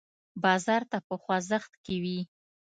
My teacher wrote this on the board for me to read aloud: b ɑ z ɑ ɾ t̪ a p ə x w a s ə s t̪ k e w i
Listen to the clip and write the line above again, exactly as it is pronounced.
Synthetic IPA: b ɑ z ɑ ɾ t̪ a p ə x w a z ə x t̪ k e w i